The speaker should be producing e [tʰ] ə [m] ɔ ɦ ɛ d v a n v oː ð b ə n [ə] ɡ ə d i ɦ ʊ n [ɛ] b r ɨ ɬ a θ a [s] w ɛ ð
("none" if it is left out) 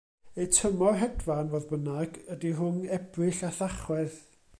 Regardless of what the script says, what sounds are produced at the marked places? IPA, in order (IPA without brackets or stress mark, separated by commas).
tʰ, m, a, ɛ, χ